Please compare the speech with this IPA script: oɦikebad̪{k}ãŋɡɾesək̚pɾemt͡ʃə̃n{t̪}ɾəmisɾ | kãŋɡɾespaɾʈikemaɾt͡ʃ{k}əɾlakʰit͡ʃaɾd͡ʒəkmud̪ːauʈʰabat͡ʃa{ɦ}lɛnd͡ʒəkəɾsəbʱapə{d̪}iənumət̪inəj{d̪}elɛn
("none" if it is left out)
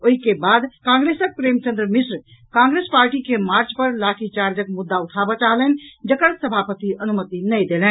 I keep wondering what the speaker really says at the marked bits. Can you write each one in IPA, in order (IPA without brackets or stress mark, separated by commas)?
k, d̪, p, ɦ, t̪, d̪